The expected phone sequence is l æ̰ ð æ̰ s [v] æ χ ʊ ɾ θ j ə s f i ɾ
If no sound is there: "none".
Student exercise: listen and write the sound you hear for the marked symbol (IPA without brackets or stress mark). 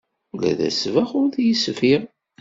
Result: v